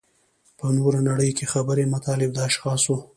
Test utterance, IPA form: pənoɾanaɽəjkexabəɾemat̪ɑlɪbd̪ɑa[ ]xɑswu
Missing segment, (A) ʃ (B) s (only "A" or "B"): A